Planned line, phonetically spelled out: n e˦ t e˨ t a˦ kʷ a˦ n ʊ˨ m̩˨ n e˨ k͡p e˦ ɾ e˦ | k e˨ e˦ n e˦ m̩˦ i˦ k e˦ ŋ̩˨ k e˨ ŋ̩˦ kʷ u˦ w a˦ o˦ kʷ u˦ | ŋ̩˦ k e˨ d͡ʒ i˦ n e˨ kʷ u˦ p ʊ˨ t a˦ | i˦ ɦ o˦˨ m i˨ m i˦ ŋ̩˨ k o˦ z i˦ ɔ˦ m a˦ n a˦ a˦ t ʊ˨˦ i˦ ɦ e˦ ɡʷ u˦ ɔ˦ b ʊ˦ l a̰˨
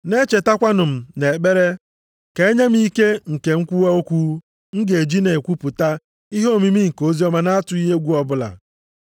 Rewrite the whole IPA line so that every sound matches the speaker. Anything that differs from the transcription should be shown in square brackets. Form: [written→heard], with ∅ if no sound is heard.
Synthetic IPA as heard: n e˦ [t→t͡ʃ] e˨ t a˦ kʷ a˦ n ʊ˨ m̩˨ n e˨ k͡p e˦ ɾ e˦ | k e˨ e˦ [n→ɲ] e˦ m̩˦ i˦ k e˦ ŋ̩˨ k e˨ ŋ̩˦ kʷ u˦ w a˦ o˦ kʷ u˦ | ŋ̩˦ [k→ɡ] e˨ d͡ʒ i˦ n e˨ kʷ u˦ p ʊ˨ t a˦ | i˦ ɦ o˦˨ m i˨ m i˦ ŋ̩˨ k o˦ z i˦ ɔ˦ m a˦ n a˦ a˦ t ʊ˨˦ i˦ ɦ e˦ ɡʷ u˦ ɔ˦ b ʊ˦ l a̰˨